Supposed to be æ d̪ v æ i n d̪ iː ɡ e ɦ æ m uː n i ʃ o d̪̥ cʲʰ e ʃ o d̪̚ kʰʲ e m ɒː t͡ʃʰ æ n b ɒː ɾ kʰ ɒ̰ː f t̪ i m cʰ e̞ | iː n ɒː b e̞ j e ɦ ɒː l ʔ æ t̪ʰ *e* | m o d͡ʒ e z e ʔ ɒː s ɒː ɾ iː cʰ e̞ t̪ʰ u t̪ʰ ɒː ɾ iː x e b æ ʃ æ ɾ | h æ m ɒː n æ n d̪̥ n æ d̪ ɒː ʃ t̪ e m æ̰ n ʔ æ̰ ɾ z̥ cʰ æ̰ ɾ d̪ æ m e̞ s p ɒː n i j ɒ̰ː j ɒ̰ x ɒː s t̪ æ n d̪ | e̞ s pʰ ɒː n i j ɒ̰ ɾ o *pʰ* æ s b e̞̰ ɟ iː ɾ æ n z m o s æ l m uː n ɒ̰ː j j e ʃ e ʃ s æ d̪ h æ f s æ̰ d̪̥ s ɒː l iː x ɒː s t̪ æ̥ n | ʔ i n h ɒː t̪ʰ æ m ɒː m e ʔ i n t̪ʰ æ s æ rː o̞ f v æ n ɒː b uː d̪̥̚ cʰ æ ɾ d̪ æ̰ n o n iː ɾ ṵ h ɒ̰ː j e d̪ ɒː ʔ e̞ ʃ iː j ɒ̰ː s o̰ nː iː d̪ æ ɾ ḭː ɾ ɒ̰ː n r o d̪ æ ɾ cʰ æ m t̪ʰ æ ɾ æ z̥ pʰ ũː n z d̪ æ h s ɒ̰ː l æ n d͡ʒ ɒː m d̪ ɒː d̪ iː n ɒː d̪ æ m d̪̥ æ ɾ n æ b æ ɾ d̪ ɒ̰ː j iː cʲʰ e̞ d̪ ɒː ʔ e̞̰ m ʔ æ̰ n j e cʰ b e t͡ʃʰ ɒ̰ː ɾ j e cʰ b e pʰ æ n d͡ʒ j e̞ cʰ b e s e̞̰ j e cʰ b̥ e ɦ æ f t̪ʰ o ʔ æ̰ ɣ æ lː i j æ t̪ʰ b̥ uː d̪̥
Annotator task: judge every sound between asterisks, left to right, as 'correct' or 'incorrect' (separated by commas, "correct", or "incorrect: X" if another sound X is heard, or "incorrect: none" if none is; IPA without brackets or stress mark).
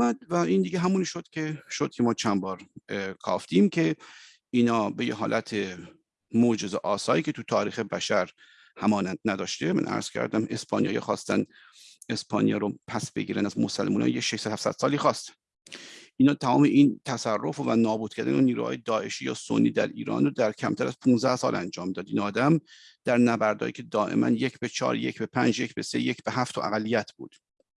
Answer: correct, correct